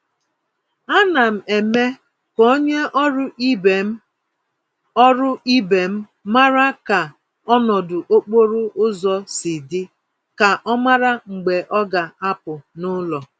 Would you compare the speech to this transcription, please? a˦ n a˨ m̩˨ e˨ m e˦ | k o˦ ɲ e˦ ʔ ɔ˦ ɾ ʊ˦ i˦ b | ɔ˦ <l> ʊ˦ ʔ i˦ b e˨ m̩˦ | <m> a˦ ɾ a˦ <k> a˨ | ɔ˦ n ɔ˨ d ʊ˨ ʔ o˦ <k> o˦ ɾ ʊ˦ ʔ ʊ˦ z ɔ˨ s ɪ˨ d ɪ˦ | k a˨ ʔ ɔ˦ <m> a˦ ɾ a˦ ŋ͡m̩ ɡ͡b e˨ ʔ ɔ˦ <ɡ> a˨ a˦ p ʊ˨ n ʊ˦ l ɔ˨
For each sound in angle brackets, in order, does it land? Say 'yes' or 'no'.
no, yes, yes, no, yes, yes

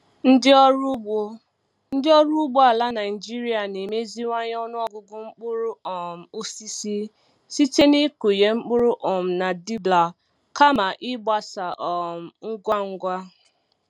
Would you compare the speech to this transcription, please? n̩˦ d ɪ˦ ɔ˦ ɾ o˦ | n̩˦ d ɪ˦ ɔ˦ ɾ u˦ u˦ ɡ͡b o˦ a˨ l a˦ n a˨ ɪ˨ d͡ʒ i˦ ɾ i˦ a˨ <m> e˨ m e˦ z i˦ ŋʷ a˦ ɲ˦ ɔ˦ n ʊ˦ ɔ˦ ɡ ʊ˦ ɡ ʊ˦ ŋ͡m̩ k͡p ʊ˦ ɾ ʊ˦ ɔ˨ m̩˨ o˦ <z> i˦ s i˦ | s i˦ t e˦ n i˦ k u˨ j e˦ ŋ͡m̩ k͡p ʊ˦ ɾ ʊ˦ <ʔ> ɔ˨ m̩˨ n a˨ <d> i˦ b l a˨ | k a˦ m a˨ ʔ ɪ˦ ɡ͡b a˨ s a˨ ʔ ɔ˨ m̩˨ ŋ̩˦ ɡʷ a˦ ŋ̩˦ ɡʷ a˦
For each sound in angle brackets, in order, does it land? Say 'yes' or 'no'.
no, no, yes, yes

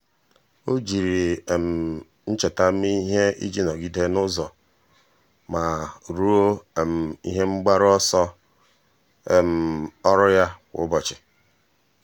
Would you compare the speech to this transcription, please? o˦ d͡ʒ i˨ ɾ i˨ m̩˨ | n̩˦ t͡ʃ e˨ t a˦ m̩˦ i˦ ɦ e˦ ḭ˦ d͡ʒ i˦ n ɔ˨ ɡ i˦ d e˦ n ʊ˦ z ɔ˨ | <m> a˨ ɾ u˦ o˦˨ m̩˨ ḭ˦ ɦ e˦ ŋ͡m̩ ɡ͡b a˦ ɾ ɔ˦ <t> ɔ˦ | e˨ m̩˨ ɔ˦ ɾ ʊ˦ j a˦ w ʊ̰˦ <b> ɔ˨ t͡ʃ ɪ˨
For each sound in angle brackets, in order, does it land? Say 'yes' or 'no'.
yes, no, yes

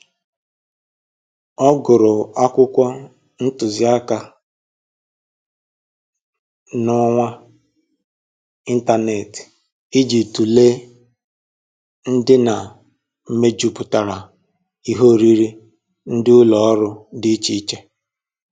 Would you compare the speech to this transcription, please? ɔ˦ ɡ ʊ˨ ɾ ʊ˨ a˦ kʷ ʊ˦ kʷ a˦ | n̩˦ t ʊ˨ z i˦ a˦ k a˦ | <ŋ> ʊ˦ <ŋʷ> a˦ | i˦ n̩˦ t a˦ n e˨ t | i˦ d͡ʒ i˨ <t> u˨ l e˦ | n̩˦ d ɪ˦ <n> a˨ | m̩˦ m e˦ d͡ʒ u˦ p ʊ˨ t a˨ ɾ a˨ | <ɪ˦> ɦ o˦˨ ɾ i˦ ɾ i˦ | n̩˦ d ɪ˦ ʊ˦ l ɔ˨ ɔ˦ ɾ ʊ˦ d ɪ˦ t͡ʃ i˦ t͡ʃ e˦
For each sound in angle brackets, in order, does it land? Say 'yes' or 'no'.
no, yes, yes, yes, no

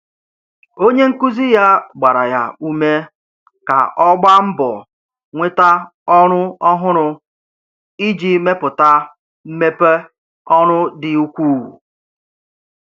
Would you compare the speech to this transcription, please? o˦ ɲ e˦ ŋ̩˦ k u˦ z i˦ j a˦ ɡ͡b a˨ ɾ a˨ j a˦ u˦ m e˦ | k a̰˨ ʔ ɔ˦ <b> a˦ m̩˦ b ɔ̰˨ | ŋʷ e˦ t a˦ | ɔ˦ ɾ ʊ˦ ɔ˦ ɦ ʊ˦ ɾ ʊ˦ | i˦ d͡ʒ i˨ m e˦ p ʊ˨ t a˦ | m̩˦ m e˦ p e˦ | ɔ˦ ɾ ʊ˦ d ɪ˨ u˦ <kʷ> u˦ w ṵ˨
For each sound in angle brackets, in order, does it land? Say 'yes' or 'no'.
no, yes

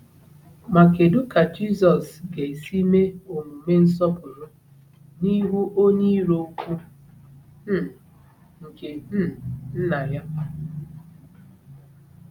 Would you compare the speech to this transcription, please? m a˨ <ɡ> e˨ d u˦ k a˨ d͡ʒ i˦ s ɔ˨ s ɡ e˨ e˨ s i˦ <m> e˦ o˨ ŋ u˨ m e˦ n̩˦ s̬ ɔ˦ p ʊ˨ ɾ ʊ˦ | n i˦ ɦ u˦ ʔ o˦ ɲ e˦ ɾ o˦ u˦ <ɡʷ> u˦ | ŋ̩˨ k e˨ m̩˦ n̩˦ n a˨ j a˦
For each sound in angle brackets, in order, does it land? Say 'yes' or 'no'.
no, yes, no

